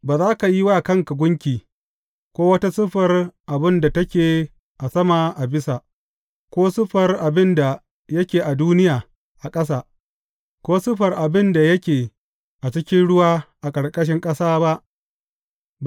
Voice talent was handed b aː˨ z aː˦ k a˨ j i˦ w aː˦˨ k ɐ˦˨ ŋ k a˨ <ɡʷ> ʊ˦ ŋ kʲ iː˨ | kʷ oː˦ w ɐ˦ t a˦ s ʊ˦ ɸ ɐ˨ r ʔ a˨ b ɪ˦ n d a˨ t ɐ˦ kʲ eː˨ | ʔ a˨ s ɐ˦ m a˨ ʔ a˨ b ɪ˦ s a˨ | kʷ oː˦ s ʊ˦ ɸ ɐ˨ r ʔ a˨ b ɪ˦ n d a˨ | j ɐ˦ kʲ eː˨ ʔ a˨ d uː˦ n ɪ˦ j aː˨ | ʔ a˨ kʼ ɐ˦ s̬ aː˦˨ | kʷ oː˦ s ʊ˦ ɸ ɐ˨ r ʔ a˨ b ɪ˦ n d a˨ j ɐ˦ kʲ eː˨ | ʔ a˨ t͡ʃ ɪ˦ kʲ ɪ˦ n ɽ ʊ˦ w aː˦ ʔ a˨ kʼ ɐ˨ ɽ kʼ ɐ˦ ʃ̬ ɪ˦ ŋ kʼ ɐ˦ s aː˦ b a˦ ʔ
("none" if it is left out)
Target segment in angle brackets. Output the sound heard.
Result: ɡʷ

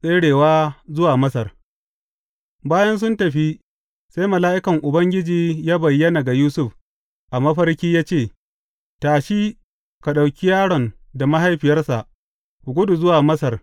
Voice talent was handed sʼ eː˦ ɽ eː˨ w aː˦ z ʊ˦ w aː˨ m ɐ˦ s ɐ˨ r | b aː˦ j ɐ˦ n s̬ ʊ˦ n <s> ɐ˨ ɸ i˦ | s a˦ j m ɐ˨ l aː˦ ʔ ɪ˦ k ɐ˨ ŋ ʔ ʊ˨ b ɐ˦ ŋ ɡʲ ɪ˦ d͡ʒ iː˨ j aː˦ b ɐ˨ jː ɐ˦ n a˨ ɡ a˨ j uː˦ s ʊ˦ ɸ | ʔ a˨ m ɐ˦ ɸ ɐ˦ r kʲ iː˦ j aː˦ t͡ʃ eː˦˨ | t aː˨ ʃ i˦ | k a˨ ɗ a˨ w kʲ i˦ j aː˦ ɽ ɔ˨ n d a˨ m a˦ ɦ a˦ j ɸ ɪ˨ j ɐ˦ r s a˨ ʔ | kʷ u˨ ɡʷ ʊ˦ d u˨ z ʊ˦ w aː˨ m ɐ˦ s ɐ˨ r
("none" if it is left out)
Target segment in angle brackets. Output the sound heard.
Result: t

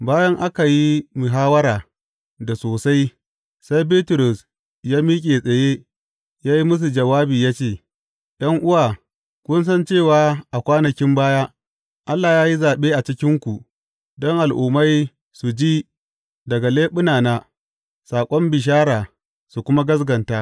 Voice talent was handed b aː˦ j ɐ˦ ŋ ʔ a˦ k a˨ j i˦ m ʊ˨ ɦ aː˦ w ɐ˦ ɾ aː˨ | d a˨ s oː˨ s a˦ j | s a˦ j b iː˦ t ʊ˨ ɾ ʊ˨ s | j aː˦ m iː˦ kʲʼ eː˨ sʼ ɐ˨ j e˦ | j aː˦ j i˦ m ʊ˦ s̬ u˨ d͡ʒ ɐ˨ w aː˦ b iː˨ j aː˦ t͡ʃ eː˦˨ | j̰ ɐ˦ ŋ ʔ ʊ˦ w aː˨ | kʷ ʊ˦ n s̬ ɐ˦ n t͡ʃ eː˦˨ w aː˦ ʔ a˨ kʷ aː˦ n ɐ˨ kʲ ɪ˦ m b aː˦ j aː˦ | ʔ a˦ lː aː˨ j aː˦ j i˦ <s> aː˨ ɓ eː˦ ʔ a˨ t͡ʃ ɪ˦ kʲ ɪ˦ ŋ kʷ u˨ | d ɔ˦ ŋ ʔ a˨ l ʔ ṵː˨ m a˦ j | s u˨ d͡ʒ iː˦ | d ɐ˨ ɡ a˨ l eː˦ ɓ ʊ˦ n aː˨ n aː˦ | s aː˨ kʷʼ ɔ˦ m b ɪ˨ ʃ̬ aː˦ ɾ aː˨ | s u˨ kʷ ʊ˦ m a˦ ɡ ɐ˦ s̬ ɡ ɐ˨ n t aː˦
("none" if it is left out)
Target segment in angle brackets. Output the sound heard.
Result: z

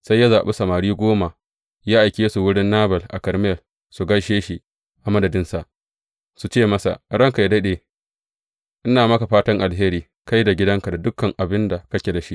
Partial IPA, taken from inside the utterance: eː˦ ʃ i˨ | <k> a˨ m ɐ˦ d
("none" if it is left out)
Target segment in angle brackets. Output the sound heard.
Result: ʔ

